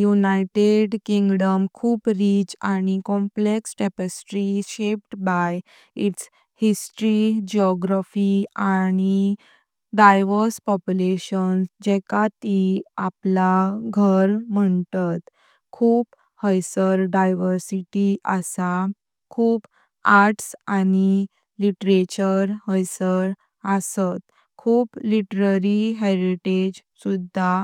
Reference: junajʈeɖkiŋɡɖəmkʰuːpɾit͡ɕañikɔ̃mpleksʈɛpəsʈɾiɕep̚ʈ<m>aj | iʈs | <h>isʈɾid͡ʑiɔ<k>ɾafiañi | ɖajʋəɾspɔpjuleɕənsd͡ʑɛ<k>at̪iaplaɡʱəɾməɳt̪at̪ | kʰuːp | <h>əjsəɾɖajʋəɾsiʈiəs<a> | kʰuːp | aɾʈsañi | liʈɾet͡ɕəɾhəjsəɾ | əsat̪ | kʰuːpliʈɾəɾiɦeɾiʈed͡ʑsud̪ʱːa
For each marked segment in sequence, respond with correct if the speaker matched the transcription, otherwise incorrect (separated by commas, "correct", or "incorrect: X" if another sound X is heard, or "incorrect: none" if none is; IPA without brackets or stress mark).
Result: incorrect: b, correct, incorrect: ɡ, correct, correct, correct